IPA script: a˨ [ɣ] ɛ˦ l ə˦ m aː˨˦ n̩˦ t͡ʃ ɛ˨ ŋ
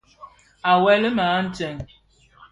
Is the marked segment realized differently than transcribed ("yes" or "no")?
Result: yes